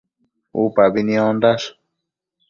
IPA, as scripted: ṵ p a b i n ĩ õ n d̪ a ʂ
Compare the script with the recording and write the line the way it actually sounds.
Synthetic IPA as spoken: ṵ p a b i n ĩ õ n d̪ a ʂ